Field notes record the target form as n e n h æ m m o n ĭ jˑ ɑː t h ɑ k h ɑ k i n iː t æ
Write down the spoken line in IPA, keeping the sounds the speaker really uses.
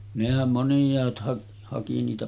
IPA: n e h æ m m o n ĭ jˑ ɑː t h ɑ k h ɑ k i n iː t æ

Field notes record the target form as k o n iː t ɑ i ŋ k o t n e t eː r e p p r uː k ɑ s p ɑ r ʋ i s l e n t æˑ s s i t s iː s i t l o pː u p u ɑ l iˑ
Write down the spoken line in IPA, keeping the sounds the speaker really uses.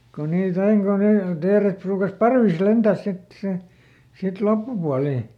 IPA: k o n iː t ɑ i ŋ k o n e t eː r e t p r uː k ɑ s p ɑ r ʋ i s l e n t æˑ s s i t s i s i t l o pː u p u ɑ l iˑ

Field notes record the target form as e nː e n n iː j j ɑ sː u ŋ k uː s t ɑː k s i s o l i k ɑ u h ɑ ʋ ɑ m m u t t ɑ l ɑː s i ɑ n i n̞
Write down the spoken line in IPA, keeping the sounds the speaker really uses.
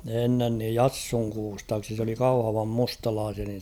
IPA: e nː e n n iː j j ɑ sː u ŋ k uː s t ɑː k s i s o l i k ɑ u h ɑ ʋ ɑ m m u s t ɑ l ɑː s i ɑ n i n̞

